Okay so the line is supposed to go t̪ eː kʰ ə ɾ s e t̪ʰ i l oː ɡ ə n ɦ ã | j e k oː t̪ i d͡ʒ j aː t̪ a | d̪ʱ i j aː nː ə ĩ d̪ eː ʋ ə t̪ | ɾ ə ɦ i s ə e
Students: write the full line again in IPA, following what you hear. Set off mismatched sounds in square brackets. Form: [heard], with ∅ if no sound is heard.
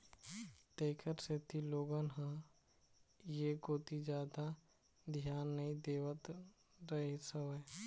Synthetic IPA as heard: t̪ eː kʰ ə ɾ s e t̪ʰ i l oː ɡ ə n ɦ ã | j e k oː t̪ i d͡ʒ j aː [d̪] a | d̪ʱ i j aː nː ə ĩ d̪ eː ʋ ə t̪ | ɾ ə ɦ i s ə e